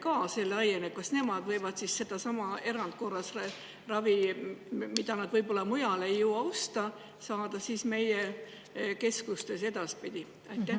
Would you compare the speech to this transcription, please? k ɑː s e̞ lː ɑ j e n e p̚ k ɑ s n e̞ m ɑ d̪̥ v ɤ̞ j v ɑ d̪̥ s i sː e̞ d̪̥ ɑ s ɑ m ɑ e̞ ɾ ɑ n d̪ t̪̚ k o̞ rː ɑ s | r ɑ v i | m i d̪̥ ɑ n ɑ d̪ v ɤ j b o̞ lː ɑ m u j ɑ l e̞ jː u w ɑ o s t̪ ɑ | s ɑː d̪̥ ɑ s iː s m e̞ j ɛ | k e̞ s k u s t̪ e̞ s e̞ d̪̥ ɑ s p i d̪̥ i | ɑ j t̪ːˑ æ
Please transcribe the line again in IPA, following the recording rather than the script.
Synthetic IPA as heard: k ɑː s e̞ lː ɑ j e n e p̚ k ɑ s n e̞ m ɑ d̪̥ v ɤ̞ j v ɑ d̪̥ s i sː e̞ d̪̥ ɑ s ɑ m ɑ e̞ ɾ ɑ n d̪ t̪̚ k o̞ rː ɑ s | r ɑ v i | m i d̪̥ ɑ n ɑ d̪ v ɤ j b o̞ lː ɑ m u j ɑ l e̞ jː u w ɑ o s t̪ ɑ | s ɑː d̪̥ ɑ s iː s m e̞ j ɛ | k e̞ s k u s t̪ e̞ s e̞ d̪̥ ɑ s p i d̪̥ i | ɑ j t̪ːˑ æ